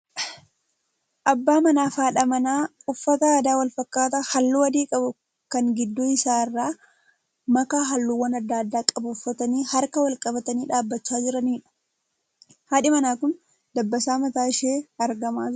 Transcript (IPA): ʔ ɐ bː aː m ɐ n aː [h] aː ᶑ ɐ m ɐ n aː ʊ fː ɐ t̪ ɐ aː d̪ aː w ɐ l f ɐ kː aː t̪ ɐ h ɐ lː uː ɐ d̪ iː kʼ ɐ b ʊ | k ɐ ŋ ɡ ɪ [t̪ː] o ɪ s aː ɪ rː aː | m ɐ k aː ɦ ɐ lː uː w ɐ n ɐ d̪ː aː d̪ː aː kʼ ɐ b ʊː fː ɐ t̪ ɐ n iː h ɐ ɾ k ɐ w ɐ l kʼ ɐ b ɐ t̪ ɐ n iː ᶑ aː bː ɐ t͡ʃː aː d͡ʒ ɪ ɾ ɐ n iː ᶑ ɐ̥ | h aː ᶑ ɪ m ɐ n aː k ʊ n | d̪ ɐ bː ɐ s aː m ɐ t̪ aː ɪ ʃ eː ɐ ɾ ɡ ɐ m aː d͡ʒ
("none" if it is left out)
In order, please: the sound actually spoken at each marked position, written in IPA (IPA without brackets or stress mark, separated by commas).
f, d̪ː